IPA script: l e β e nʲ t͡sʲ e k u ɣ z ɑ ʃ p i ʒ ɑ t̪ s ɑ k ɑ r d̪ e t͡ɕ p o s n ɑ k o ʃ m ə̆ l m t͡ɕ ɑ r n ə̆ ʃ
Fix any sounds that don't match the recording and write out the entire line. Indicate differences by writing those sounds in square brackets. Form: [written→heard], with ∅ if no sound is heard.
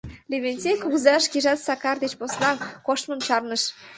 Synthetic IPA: l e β e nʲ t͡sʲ e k u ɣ z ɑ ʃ [p→k] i ʒ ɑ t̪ s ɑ k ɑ r d̪ e t͡ɕ p o s n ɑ k o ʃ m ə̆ [l→∅] m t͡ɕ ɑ r n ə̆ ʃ